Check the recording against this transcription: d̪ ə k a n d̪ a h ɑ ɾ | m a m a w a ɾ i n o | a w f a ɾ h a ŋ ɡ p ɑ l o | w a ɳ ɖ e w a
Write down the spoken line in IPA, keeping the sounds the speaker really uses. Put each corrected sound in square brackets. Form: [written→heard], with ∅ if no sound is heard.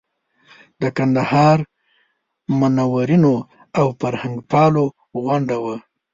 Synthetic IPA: d̪ ə k a n d̪ a h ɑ ɾ | m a [m→n] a w a ɾ i n o | a w f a ɾ h a ŋ ɡ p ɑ l o | [w→ɣ] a ɳ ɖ [e→a] w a

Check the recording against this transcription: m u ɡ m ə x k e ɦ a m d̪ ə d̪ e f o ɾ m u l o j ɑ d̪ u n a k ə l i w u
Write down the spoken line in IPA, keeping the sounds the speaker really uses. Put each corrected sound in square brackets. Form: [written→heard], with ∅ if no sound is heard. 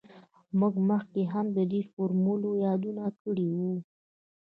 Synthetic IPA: m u ɡ m ə x k e ɦ a m d̪ ə d̪ e f o ɾ m u l o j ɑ d̪ u n a k ə [l→ɽ] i w u

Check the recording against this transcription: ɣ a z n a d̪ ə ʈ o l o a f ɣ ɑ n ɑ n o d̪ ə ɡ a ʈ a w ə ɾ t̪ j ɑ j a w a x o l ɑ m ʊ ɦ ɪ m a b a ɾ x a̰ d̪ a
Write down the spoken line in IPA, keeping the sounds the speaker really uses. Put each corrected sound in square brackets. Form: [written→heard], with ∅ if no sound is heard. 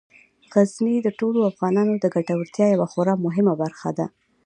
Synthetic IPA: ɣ a z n [a→i] d̪ ə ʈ o l o a f ɣ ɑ n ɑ n o d̪ ə ɡ a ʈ a w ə ɾ t̪ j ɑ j a w a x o [l→ɾ] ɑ m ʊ ɦ ɪ m a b a ɾ x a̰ d̪ a

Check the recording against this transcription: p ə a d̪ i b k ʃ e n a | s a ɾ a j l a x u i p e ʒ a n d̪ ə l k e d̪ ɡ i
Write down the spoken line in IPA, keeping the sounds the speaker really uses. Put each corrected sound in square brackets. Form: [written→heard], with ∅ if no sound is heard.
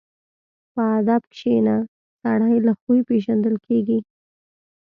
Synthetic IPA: p ə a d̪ [i→a] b k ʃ e n a | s a [ɾ→ɽ] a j l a x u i p e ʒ a n d̪ ə l k e [d̪→∅] ɡ i

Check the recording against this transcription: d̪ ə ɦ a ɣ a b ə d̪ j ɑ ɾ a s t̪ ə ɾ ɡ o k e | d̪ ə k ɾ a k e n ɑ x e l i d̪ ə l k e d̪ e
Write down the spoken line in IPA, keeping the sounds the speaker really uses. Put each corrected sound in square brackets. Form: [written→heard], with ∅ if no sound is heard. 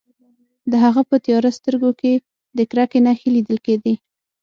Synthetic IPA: d̪ ə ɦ a ɣ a [b→p] ə [d̪→t̪] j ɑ ɾ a s t̪ ə ɾ ɡ o k e | d̪ ə k ɾ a k e n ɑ x e l i d̪ ə l k e d̪ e

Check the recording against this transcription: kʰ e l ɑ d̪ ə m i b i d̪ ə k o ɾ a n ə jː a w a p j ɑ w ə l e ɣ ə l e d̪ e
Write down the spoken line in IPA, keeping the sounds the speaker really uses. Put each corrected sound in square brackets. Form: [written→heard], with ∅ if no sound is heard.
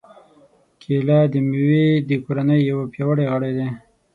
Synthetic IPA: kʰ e l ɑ d̪ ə m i [b→w] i d̪ ə k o ɾ a n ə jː a w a p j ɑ w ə [l→ɽ] e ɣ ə [l→ɽ] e d̪ e

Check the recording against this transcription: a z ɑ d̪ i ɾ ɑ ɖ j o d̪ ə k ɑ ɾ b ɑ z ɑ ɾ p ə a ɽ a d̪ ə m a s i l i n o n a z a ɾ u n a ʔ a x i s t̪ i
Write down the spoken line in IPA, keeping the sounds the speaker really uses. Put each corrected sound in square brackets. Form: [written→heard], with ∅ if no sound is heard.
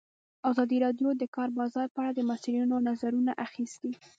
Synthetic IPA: a z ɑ d̪ i ɾ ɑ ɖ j o d̪ ə k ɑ ɾ b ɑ z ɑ ɾ p ə a ɽ a d̪ ə m a s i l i n o n a z a ɾ u n a ʔ a x i s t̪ i

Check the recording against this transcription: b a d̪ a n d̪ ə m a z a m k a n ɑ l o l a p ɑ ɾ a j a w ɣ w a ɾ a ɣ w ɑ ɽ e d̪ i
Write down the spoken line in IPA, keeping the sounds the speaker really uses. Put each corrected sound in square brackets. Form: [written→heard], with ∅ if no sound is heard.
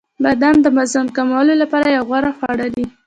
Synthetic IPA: b a d̪ a n d̪ ə m a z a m k a [n→m] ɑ l o l a p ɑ ɾ a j a w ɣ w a ɾ a [ɣ→x] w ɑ ɽ [e→a] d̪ i

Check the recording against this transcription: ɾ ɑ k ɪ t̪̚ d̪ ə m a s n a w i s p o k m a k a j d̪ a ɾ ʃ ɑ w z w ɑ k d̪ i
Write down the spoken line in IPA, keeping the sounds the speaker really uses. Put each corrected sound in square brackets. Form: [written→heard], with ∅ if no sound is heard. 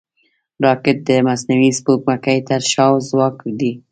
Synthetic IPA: ɾ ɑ k ɪ t̪̚ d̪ ə m a s n a w i s p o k m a k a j [d̪→t̪] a ɾ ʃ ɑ w z w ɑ k d̪ i

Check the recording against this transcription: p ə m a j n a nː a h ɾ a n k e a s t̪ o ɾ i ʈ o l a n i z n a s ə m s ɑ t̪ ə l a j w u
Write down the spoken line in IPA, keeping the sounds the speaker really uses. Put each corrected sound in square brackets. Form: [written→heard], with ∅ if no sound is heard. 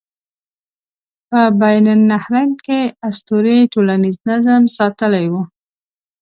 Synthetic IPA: p ə [m→b] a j n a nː a h ɾ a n k e a s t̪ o ɾ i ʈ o l a n i z n a [s→z] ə m s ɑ t̪ ə l a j w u

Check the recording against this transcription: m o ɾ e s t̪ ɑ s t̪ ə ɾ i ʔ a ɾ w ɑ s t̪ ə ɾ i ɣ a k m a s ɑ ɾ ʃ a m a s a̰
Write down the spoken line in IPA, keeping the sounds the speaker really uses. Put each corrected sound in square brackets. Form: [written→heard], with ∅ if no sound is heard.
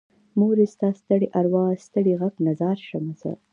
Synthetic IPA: m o ɾ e s t̪ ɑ s t̪ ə [ɾ→ɽ] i ʔ a ɾ w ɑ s t̪ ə [ɾ→ɽ] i ɣ a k [m→n] a [s→z] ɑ ɾ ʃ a m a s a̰

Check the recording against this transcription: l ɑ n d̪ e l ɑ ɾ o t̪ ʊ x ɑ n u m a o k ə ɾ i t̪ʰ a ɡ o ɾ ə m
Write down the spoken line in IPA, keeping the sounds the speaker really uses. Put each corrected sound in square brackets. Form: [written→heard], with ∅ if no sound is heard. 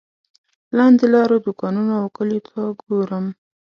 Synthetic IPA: l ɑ n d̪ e l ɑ ɾ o [t̪→d̪] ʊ [x→k] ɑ n u [m→n] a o k ə [ɾ→l] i t̪ʰ a ɡ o ɾ ə m

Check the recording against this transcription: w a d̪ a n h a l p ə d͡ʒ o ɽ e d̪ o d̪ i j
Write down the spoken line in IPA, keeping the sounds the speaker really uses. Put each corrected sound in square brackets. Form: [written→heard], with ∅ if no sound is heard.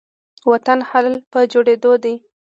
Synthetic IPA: w a [d̪→t̪] a n h a l p ə d͡ʒ o ɽ e d̪ o d̪ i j

